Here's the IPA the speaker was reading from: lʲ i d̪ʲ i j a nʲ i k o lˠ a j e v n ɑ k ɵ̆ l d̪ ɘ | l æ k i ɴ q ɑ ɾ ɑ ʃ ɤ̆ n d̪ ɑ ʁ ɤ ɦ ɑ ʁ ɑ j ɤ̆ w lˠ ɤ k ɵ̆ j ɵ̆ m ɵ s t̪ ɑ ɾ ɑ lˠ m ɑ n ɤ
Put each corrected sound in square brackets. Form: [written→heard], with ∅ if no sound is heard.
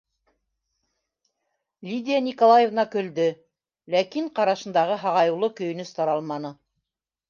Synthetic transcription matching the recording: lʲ i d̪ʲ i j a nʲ i k o lˠ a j e v n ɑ k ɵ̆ l d̪ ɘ | l æ k i ɴ q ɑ ɾ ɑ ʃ ɤ̆ n d̪ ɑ ʁ ɤ ɦ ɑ ʁ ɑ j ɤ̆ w lˠ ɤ k ɵ̆ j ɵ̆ [m→n] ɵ s t̪ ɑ ɾ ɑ lˠ m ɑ n ɤ